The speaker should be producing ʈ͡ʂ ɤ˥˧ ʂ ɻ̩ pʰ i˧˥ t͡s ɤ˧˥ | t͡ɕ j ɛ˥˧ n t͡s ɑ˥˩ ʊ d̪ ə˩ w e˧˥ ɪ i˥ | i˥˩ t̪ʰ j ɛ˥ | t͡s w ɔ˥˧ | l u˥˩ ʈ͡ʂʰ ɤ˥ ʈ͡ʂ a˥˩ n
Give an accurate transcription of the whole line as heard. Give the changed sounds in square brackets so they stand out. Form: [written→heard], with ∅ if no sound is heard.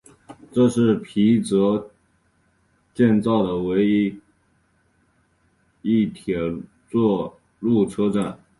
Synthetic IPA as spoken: ʈ͡ʂ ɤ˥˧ ʂ ɻ̩ pʰ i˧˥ t͡s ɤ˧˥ | t͡ɕ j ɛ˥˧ n t͡s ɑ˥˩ ʊ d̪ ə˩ w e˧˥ ɪ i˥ | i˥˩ t̪ʰ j [ɛ˥→ɛ˨˩] | t͡s w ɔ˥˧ | l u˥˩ ʈ͡ʂʰ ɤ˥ ʈ͡ʂ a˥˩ n